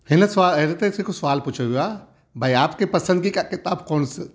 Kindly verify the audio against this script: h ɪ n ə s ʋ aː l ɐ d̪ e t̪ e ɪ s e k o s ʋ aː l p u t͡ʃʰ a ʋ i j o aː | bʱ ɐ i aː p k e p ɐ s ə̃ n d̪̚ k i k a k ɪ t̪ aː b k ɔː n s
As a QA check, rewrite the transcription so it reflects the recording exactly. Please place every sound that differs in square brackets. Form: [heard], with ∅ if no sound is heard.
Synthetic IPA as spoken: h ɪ n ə s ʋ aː l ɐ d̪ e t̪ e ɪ s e k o s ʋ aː l p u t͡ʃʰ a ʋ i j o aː | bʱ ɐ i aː p k e p ɐ s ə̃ n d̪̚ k i k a k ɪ t̪ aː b k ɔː n s